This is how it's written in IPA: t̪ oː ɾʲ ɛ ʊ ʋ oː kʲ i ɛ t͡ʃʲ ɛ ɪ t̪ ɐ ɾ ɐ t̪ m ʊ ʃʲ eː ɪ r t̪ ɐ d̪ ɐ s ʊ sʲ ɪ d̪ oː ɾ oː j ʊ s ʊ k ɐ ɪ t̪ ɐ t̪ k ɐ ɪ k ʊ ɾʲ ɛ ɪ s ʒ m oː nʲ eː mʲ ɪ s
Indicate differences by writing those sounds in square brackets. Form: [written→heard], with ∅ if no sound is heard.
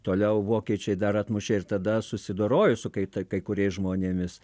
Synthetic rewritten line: t̪ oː [ɾʲ→lʲ] ɛ ʊ ʋ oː kʲ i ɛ t͡ʃʲ ɛ ɪ [t̪→d̪] ɐ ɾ ɐ t̪ m ʊ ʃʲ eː ɪ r t̪ ɐ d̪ ɐ s ʊ sʲ ɪ d̪ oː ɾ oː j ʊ s ʊ k ɐ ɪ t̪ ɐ [t̪→∅] k ɐ ɪ k ʊ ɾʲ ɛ ɪ s ʒ m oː nʲ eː mʲ ɪ s